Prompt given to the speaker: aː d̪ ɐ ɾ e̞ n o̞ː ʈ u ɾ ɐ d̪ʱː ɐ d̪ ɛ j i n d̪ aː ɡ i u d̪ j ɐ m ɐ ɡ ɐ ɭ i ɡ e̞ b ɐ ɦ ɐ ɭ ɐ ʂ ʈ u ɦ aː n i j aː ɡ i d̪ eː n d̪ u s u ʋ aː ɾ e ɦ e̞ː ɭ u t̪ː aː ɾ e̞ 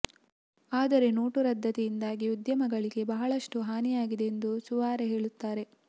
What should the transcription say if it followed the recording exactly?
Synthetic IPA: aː d̪ ɐ ɾ e̞ n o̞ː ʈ u ɾ ɐ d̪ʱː ɐ t̪ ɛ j i n d̪ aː ɡ i u d̪ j ɐ m ɐ ɡ ɐ ɭ i ɡ e̞ b ɐ ɦ ɐ ɭ ɐ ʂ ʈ u ɦ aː n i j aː ɡ i d̪ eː n d̪ u s u ʋ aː ɾ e ɦ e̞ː ɭ u t̪ː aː ɾ e̞

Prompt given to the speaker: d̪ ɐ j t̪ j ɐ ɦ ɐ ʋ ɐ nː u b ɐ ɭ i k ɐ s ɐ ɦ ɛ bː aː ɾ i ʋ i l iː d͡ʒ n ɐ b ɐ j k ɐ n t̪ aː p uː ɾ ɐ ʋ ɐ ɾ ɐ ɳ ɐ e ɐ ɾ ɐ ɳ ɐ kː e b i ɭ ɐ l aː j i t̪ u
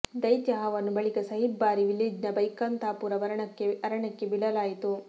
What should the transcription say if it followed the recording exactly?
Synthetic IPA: d̪ ɐ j t̪ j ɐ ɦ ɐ ʋ ɐ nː u b ɐ ɭ i k ɐ s ɐ ɦ i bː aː ɾ i ʋ i l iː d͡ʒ n ɐ b ɐ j k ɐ n t̪ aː p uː ɾ ɐ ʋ ɐ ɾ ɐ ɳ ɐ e ɐ ɾ ɐ ɳ ɐ kː e b i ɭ ɐ l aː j i t̪ u

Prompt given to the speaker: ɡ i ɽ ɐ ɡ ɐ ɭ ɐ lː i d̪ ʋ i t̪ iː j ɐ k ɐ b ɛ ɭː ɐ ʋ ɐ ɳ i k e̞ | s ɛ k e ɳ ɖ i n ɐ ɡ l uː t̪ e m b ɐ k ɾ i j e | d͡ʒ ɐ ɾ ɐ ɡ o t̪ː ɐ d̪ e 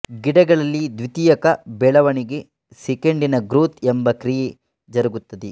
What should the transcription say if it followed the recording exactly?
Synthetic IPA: ɡ i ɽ ɐ ɡ ɐ ɭ ɐ lː i d̪ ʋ i t̪ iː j ɐ k ɐ b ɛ ɭ ɐ ʋ ɐ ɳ i ɡ e̞ | s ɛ k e ɳ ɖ i n ɐ ɡ ɾ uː t̪ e m b ɐ k ɾ i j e | d͡ʒ ɐ ɾ ɐ ɡ u t̪ː ɐ d̪ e

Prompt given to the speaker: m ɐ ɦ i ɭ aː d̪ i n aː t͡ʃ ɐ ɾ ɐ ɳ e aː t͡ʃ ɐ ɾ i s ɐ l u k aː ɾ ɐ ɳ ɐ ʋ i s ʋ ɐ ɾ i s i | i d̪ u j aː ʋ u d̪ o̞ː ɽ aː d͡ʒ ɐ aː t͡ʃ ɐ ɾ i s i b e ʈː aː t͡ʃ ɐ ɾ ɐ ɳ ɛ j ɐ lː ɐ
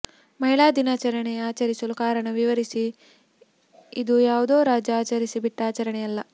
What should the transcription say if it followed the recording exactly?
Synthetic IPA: m ɐ ɦ i ɭ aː d̪ i n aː t͡ʃ ɐ ɾ ɐ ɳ e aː t͡ʃ ɐ ɾ i s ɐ l u k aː ɾ ɐ ɳ ɐ ʋ i ʋ ɐ ɾ i s i | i d̪ u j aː ʋ u d̪ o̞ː ɾ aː d͡ʒ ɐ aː t͡ʃ ɐ ɾ i s i b i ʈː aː t͡ʃ ɐ ɾ ɐ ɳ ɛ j ɐ lː ɐ

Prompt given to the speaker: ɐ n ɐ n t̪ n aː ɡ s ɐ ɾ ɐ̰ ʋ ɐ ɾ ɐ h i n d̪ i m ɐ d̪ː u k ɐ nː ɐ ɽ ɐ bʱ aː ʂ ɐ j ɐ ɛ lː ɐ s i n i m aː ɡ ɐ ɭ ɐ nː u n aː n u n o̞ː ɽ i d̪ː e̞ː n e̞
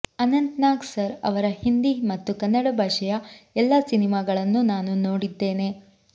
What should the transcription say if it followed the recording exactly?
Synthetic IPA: ɐ n ɐ n t̪ n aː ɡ s ɐ ɾ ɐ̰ ʋ ɐ ɾ ɐ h i n d̪ i m ɐ t̪ː u k ɐ nː ɐ ɽ ɐ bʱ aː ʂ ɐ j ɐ ɛ lː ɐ s i n i m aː ɡ ɐ ɭ ɐ nː u n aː n u n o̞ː ɽ i d̪ː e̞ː n e̞

